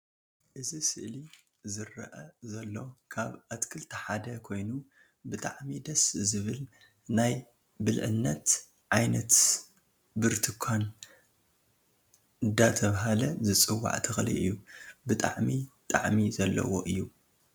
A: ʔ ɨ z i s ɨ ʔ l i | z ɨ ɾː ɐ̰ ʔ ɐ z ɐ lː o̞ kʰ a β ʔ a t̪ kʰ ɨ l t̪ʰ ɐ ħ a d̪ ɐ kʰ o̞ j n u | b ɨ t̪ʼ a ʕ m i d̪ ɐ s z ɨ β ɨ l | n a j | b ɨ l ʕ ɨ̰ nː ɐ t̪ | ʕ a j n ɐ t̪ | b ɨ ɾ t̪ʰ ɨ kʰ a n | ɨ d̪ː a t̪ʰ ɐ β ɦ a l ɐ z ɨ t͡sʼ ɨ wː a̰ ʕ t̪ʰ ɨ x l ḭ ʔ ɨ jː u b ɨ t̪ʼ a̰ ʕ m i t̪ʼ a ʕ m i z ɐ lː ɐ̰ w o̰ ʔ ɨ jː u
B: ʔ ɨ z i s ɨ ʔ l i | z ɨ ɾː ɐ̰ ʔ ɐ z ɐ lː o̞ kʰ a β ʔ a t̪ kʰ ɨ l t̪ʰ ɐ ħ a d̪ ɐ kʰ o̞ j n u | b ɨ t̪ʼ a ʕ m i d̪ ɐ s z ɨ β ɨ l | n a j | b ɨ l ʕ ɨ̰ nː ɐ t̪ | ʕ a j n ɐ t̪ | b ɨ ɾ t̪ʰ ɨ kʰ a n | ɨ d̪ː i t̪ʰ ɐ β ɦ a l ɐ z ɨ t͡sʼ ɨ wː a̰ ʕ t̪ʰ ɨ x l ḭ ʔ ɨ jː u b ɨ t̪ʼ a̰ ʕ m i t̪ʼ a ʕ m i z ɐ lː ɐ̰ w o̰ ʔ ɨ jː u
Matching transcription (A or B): A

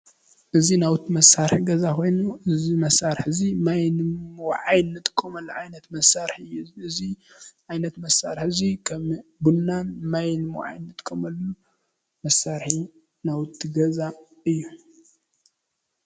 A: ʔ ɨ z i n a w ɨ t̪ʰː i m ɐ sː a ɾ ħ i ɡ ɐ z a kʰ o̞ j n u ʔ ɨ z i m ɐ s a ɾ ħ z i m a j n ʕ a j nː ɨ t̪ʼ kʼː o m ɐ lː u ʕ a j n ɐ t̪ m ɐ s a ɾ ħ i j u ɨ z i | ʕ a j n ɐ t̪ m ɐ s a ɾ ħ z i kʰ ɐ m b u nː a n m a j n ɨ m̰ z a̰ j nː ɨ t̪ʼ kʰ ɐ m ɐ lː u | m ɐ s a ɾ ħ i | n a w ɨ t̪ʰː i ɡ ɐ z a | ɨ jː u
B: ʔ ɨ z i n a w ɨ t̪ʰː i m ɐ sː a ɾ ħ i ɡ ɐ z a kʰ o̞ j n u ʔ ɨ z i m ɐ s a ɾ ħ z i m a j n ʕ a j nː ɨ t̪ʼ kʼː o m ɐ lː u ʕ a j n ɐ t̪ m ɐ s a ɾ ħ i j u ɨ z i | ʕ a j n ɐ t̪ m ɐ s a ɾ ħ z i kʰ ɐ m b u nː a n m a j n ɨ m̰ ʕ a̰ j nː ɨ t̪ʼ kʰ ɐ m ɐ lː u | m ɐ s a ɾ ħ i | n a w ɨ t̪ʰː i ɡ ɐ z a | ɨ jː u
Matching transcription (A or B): B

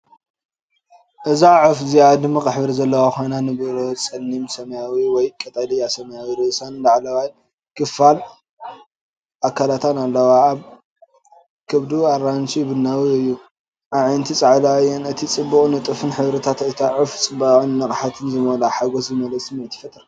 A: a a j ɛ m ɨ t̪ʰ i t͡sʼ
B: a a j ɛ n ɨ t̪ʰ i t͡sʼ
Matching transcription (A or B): B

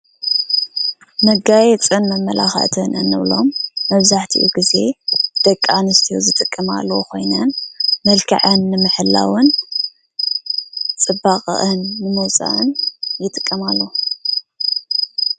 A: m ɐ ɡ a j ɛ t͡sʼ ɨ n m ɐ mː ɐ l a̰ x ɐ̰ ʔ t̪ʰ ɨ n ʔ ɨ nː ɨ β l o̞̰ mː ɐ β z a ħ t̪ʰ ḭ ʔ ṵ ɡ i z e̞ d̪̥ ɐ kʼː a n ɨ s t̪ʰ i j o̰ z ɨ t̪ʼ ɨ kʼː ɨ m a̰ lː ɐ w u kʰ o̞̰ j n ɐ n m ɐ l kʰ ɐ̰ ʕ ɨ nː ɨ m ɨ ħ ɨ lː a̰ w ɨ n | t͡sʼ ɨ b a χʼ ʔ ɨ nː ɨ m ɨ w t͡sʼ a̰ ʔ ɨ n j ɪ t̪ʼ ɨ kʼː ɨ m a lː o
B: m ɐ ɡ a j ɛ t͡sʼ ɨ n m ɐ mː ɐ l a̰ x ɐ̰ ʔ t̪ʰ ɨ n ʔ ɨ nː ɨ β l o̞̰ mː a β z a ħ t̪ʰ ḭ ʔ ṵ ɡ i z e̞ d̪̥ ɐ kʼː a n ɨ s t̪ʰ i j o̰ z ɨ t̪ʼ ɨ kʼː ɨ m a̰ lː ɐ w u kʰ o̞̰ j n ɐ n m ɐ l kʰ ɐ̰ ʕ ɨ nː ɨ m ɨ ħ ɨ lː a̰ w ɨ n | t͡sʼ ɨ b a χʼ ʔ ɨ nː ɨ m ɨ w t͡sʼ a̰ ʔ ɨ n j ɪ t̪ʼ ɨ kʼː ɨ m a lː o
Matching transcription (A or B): A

